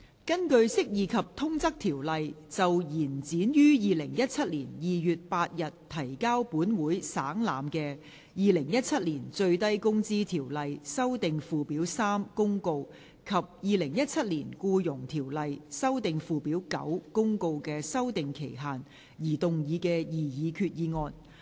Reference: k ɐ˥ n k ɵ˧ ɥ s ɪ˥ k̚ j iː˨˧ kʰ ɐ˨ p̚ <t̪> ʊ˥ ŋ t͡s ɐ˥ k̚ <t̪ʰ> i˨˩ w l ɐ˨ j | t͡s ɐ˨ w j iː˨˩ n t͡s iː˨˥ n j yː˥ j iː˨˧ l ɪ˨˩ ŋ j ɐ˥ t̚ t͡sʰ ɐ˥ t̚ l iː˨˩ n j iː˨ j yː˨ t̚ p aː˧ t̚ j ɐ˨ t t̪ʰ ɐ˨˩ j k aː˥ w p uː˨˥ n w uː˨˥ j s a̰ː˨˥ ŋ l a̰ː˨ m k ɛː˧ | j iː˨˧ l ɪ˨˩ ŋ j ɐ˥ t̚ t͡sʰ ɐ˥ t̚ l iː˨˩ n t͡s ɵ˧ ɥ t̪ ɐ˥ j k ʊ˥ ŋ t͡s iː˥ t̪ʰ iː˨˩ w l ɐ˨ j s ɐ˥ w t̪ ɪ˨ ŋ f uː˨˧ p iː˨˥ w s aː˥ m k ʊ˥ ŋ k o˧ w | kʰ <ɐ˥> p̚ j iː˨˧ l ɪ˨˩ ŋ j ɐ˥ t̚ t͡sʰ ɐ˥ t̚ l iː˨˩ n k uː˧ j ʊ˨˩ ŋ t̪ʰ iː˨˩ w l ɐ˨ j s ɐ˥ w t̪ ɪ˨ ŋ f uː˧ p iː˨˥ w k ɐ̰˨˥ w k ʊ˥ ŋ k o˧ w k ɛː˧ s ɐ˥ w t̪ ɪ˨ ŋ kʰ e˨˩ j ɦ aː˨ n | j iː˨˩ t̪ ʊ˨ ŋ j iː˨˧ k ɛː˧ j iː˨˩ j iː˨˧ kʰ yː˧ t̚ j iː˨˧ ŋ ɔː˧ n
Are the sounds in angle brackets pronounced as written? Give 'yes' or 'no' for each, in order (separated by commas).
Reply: no, yes, no